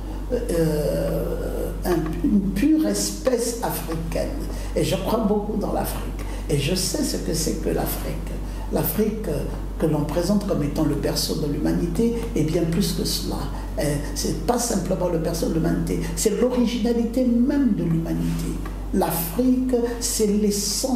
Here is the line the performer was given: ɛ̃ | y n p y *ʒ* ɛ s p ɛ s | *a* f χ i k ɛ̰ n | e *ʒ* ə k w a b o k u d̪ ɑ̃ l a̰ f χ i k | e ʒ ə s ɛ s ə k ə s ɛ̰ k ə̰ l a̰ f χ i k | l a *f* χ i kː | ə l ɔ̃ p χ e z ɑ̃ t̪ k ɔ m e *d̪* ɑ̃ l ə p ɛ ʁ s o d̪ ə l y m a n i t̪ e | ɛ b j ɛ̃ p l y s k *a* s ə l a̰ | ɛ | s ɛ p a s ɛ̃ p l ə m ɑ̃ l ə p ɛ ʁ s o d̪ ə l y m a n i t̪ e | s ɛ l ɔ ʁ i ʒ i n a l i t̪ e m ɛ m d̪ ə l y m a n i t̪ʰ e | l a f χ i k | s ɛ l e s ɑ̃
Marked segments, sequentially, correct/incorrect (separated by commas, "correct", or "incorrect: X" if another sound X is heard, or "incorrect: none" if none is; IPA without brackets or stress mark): incorrect: ʁ, correct, correct, correct, incorrect: t̪, incorrect: ə